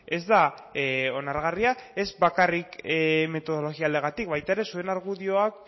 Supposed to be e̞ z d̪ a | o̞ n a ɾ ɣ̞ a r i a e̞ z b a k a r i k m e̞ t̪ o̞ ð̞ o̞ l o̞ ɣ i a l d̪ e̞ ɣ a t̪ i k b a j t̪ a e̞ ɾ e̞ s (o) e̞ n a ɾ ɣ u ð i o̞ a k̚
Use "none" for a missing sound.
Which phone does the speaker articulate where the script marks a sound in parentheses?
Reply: u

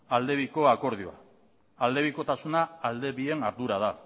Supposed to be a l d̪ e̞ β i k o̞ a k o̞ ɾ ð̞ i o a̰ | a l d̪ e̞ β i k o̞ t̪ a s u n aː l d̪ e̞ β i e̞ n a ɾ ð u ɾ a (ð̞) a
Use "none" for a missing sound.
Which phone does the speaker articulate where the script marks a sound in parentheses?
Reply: ð̞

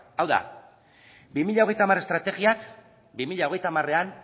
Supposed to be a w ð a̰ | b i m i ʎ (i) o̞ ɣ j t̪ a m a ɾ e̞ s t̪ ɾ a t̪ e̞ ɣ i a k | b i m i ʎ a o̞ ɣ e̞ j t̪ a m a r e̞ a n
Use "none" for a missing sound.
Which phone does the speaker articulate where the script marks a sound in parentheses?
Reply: a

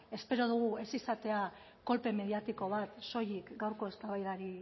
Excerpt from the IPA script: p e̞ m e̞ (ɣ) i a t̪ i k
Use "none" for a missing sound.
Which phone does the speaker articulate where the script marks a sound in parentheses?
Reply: ð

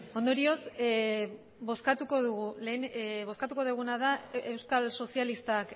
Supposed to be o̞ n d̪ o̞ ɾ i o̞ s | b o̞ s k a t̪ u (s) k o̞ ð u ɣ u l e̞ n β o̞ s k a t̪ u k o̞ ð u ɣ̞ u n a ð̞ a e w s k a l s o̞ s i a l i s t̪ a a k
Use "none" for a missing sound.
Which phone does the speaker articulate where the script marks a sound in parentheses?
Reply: none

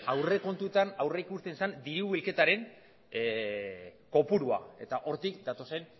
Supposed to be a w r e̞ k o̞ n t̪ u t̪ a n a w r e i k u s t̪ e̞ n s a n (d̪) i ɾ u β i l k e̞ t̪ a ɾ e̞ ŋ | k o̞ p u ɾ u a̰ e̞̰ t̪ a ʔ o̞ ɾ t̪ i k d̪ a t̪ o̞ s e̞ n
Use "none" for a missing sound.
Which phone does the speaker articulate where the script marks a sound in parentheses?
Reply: d̪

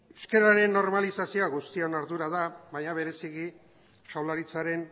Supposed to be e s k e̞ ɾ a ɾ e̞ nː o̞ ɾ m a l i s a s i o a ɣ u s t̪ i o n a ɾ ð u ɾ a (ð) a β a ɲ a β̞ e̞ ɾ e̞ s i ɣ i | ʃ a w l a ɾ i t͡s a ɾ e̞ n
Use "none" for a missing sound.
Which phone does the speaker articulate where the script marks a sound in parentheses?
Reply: ð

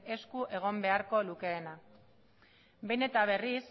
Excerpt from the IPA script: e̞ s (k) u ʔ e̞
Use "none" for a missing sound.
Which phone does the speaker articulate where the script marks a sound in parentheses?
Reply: k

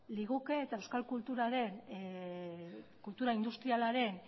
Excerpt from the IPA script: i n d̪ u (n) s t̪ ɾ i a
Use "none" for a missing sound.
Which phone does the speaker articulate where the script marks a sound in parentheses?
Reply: none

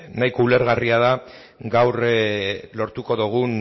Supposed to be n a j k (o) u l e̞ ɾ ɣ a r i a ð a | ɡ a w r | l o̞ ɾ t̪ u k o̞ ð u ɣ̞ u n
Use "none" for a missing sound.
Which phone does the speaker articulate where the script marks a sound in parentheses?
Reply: o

